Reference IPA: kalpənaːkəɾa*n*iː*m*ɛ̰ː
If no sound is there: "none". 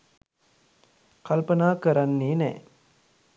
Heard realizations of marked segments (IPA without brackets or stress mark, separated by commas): nː, n